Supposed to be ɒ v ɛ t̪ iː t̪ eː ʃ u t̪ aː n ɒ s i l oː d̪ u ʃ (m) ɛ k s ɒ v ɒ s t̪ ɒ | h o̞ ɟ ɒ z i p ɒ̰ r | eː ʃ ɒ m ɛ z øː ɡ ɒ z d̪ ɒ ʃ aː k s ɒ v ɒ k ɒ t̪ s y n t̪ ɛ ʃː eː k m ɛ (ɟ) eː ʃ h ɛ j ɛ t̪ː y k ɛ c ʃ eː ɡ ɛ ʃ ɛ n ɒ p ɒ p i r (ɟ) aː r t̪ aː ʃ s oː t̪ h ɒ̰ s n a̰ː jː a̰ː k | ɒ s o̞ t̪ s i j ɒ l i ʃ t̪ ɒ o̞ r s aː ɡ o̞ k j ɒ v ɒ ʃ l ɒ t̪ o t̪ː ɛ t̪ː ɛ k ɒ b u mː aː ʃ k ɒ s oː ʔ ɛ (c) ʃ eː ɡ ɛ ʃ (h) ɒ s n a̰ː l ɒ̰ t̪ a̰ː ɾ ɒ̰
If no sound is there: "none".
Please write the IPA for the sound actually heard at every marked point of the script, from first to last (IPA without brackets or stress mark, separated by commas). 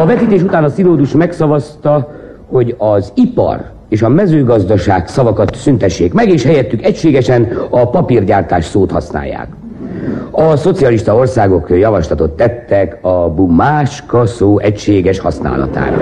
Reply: m, ɡ, ɟ, c, h